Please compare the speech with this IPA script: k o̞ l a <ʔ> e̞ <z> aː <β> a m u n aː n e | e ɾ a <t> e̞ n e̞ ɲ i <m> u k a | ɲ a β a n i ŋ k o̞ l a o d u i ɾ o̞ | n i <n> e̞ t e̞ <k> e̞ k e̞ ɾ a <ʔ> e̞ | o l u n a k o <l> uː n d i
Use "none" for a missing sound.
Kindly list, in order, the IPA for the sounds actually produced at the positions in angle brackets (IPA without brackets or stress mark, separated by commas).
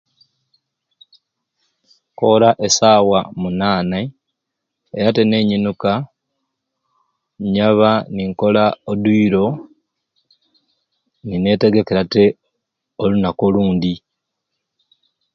ʔ, s, w, t, n, n, ɡ, t, l